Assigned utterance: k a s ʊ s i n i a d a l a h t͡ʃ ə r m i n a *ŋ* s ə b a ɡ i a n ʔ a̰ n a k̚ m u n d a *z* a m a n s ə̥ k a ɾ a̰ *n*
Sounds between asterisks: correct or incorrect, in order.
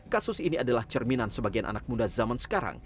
incorrect: n, correct, incorrect: ŋ

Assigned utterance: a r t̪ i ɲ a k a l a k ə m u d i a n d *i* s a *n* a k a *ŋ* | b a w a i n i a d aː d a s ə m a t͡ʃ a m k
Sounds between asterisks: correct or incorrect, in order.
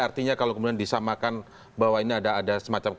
correct, incorrect: m, incorrect: n

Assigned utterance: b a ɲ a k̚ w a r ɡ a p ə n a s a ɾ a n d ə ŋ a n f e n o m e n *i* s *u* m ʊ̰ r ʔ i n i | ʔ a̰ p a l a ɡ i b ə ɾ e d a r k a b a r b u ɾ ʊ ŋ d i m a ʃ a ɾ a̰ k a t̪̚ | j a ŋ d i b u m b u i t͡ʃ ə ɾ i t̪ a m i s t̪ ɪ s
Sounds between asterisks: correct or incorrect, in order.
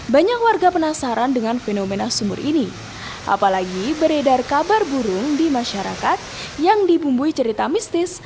incorrect: a, correct

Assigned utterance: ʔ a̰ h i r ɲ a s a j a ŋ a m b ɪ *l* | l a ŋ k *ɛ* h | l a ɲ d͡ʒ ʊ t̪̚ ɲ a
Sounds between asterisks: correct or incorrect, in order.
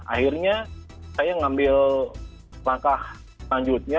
correct, incorrect: a

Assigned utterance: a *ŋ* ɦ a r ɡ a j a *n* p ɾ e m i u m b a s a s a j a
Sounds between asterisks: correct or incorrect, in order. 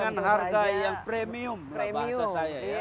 incorrect: n, incorrect: ŋ

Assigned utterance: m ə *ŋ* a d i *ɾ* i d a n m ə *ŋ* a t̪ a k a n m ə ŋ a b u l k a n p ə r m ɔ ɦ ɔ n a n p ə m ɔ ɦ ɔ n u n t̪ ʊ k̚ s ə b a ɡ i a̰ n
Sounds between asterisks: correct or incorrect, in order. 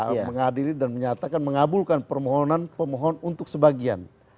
correct, incorrect: l, incorrect: ɲ

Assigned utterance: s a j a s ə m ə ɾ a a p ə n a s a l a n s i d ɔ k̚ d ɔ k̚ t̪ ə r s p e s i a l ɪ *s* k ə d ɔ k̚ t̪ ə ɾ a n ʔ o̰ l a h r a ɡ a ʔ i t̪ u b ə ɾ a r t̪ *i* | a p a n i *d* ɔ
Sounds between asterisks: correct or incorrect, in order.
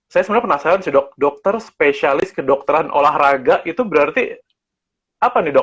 correct, correct, correct

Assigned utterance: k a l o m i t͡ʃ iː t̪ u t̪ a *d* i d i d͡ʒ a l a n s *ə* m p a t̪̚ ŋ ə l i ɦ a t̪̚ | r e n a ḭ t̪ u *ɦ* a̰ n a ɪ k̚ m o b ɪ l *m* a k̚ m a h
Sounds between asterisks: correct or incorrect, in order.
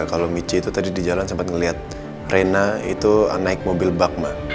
correct, correct, incorrect: none, incorrect: b

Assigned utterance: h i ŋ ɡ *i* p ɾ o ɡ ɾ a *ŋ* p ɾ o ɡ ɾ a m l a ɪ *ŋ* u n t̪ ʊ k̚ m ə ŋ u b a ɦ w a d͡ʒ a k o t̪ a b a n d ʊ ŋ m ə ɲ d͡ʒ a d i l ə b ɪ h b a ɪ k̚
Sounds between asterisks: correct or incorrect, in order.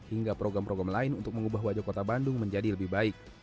incorrect: a, incorrect: m, incorrect: n

